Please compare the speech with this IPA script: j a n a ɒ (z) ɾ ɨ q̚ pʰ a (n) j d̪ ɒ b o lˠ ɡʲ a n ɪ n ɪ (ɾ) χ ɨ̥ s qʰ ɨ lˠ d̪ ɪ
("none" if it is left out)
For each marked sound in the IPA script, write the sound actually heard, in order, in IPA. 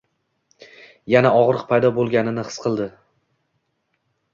ʁ, none, none

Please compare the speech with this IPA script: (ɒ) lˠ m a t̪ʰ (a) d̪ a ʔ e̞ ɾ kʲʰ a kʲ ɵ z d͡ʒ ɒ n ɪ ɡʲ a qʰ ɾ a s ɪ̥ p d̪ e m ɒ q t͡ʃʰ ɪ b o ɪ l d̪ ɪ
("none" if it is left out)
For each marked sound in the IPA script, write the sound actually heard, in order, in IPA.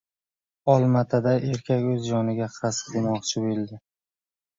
ɒ, a

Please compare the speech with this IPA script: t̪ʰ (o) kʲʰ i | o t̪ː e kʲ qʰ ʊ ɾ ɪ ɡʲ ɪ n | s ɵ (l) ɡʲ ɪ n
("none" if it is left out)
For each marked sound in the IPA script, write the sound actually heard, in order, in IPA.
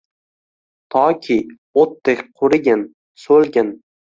ɒ, l

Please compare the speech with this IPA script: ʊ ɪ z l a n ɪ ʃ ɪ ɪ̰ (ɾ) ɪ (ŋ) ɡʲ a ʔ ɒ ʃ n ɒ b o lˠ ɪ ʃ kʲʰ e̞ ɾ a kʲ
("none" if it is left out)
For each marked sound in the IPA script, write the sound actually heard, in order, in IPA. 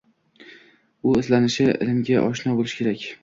l, m

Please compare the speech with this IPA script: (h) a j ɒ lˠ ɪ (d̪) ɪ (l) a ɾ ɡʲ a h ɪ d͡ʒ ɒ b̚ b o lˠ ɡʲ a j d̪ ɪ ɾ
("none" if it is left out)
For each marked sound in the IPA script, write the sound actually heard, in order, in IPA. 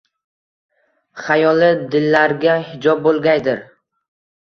χ, d̪, lː

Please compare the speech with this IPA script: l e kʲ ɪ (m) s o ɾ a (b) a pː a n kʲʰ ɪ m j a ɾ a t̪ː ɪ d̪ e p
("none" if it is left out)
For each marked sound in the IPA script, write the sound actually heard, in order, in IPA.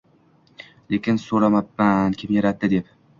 n, m

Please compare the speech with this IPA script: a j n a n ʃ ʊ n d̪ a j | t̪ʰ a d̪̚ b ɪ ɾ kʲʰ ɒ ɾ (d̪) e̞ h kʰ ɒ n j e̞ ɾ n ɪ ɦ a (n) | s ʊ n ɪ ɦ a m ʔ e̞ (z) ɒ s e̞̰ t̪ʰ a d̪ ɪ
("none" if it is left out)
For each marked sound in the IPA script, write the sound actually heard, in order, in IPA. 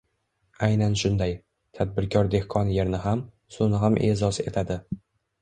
d̪, m, z

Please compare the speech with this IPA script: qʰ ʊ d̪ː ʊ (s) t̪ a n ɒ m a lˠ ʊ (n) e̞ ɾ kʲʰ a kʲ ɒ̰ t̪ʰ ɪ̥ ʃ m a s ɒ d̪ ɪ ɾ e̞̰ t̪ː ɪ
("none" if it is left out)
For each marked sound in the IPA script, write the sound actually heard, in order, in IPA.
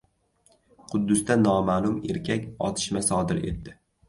s, m

